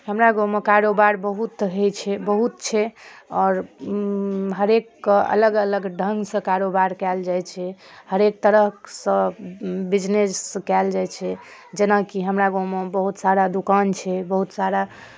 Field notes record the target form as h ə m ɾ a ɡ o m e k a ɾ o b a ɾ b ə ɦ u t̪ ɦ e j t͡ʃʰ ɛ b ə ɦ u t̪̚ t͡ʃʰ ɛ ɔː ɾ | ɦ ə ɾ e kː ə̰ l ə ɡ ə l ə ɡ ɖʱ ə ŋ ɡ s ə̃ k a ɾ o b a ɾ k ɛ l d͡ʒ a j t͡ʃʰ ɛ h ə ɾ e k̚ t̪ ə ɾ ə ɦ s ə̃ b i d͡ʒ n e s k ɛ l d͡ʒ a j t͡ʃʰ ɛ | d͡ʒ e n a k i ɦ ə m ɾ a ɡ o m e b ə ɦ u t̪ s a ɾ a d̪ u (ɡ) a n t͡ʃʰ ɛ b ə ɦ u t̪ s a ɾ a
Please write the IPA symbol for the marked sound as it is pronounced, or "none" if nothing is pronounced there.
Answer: k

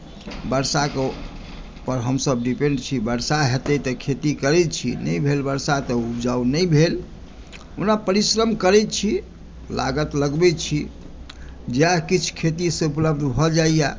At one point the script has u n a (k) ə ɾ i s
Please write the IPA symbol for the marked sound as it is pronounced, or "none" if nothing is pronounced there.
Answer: p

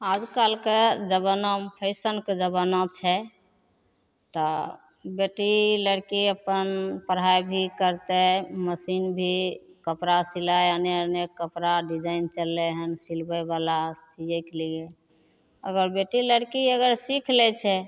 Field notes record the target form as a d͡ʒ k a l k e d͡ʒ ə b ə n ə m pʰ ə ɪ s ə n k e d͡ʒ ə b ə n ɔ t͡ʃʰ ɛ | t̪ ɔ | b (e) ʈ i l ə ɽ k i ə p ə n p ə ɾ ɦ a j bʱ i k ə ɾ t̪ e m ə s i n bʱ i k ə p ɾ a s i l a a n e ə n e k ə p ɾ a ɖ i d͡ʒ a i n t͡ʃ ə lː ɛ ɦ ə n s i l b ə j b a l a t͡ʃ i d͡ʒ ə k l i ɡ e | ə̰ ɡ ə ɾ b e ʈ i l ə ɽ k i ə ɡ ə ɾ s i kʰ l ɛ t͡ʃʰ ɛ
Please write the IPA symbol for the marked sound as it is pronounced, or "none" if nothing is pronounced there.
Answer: e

